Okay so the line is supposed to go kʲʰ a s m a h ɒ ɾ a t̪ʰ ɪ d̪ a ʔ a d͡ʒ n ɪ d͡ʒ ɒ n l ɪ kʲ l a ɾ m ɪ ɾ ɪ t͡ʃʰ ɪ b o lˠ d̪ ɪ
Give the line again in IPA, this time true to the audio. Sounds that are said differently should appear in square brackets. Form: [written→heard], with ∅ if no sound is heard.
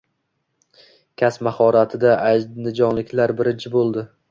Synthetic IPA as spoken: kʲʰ a s m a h ɒ ɾ a t̪ʰ ɪ d̪ a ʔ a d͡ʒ n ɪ d͡ʒ ɒ n l ɪ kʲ l a ɾ [m→b] ɪ ɾ ɪ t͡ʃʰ ɪ b o lˠ d̪ ɪ